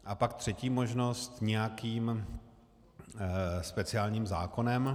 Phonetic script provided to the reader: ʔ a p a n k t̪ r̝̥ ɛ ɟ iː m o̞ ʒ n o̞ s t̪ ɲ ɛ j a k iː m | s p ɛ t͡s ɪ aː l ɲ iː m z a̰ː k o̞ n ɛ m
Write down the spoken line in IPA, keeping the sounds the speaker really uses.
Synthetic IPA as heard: ʔ a p a k t̪ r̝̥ ɛ c iː m o̞ ʒ n o̞ s t̪ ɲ ɛ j a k iː m | s p ɛ t͡s ɪ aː l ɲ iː m z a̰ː k o̞ n ɛ m